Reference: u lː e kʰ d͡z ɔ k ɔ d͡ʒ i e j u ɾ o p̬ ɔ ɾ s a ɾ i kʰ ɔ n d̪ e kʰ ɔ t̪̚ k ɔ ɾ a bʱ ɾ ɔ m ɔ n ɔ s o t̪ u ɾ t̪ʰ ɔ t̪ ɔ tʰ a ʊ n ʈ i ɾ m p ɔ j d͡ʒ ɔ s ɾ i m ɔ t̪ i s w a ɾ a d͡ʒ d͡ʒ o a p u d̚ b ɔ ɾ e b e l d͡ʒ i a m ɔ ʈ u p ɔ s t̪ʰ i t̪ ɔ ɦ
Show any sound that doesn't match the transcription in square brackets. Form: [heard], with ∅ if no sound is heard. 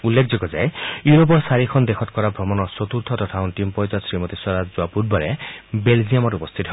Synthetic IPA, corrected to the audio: u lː e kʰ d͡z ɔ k ɔ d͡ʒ [a] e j u ɾ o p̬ ɔ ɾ s a ɾ i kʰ ɔ n d̪ e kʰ ɔ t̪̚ k ɔ ɾ a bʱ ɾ ɔ m ɔ n ɔ s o t̪ u ɾ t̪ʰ ɔ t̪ ɔ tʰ a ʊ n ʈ i [∅] m p ɔ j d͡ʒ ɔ s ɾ i m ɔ t̪ i s w a ɾ a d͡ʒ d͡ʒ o a p u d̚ b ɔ ɾ e b e l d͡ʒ i a m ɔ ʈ u p ɔ s t̪ʰ i t̪ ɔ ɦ